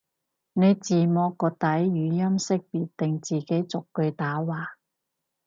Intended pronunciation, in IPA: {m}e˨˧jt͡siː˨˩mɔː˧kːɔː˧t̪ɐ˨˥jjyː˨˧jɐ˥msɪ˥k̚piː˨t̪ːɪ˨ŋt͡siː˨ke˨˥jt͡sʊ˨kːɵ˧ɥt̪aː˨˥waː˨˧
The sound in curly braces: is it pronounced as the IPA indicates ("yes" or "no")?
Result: no